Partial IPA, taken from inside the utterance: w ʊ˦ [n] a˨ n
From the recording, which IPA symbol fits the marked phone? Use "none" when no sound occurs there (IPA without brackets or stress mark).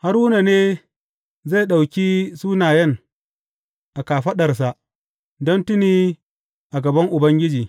n